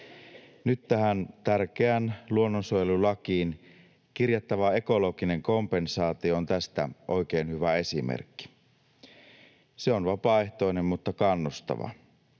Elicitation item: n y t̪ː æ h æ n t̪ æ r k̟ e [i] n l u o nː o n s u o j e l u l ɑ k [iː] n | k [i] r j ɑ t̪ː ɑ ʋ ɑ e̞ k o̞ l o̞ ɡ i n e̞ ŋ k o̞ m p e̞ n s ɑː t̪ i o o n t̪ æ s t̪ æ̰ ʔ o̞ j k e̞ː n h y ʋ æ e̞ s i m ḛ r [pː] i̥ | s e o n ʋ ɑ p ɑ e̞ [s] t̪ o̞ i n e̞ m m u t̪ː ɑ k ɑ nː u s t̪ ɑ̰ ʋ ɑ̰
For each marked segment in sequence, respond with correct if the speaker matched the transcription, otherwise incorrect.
incorrect: æ, correct, correct, incorrect: kː, incorrect: h

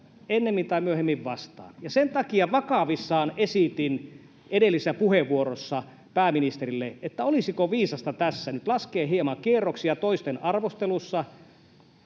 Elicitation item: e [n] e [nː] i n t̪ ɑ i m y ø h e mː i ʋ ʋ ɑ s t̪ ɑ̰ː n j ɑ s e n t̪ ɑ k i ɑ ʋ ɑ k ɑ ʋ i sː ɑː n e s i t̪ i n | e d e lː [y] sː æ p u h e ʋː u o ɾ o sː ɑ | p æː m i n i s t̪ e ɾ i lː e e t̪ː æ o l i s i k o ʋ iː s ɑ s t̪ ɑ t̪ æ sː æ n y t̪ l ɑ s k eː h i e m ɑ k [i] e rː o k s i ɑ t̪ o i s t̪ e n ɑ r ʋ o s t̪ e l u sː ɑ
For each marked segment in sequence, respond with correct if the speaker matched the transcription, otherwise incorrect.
incorrect: nː, incorrect: mː, incorrect: i, correct

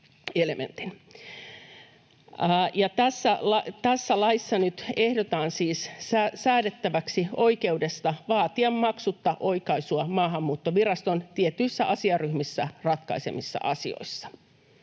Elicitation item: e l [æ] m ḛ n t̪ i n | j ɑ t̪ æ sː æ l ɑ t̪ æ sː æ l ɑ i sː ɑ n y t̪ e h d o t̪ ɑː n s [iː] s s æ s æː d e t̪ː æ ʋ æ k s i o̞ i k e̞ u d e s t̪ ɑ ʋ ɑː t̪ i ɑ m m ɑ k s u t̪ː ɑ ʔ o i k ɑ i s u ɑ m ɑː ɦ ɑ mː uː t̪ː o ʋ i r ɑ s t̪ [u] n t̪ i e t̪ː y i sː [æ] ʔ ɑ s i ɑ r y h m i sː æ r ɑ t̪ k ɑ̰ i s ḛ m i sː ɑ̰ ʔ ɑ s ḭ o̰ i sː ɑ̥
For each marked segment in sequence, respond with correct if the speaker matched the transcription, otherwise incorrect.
incorrect: e, correct, incorrect: o, correct

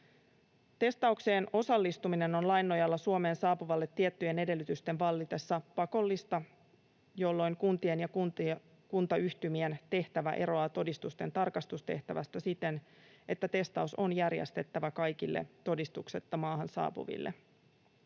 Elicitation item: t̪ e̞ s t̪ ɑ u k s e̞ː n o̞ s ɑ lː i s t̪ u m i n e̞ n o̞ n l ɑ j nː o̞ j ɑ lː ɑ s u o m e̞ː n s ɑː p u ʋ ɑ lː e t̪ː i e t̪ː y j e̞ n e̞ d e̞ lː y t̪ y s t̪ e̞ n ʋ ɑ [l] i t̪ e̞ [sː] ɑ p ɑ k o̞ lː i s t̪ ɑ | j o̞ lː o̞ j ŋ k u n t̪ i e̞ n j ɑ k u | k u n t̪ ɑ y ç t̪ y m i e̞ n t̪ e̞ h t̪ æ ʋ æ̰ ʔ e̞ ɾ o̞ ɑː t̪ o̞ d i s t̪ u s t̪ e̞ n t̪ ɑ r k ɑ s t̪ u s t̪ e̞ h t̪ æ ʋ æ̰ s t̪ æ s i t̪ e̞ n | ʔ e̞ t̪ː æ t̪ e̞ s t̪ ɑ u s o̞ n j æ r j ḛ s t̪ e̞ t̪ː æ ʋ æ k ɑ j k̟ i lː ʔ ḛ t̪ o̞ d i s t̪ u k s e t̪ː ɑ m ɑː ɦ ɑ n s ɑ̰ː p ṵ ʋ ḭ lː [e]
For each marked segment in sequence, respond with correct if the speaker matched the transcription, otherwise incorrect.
incorrect: lː, correct, correct

